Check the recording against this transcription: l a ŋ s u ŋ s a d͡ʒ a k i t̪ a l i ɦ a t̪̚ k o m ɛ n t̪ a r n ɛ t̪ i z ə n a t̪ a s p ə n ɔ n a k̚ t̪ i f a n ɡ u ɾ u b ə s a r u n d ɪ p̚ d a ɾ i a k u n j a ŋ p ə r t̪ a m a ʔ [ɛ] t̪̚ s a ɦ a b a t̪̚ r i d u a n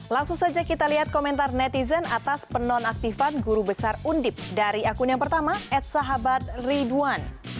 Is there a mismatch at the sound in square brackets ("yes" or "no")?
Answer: no